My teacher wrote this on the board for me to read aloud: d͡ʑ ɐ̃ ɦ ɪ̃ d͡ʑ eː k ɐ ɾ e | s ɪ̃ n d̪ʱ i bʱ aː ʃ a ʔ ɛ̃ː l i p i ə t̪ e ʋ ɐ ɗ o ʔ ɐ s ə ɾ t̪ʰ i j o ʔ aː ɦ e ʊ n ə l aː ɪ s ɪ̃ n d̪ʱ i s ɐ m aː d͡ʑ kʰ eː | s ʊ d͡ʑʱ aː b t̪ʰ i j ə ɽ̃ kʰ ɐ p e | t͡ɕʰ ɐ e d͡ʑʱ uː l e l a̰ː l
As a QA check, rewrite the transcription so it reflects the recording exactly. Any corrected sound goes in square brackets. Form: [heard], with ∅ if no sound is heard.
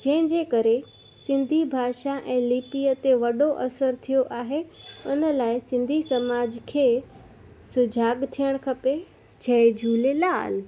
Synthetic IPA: d͡ʑ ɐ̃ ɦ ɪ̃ d͡ʑ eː k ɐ ɾ e | s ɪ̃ n d̪ʱ i bʱ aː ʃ a ʔ ɛ̃ː l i p i ə t̪ e ʋ ɐ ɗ o ʔ ɐ s ə ɾ t̪ʰ i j o ʔ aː ɦ e ʊ n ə l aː ɪ s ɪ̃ n d̪ʱ i s ɐ m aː d͡ʑ kʰ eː | s ʊ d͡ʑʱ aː [ɡ] t̪ʰ i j ə ɽ̃ kʰ ɐ p e | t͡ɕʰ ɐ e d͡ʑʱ uː l e l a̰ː l